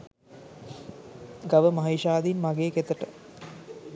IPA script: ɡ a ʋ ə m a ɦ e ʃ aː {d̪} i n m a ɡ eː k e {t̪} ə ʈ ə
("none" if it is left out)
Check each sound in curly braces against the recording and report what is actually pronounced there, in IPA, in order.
d̪, t̪

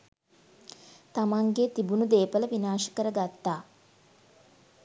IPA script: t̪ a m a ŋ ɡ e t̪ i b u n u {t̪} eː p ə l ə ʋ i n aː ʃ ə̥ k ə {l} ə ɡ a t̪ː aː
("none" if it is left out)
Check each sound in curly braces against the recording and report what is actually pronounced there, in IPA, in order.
d̪, ɾ

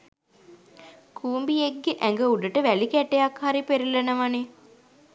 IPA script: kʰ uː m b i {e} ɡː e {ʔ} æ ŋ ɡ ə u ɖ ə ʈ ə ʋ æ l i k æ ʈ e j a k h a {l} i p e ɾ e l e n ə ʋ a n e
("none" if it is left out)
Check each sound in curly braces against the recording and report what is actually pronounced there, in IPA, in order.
e, ʔ, ɾ

